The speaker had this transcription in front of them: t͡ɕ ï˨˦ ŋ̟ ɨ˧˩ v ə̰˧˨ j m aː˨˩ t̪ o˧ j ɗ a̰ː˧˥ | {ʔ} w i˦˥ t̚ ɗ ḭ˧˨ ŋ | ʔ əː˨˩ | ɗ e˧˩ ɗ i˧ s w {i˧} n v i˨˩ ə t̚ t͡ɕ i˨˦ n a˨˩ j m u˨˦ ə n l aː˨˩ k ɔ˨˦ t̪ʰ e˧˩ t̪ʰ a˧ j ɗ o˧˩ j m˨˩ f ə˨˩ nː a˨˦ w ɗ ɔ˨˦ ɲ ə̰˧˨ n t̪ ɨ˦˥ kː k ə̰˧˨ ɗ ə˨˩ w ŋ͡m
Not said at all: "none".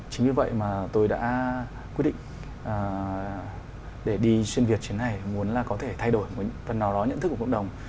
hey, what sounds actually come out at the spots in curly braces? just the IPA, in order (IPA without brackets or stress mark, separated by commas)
k, i˧